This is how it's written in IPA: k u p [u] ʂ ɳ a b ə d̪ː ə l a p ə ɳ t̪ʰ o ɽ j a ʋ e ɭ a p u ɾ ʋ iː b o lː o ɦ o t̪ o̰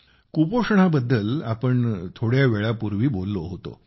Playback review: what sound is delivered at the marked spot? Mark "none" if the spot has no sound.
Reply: o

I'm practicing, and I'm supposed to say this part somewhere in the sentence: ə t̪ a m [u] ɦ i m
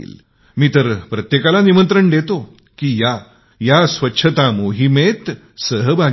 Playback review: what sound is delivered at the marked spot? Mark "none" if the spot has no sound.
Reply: o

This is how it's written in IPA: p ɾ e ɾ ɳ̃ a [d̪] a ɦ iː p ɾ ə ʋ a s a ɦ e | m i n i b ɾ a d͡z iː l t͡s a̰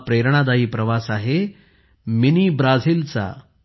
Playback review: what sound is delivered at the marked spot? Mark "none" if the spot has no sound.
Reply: d̪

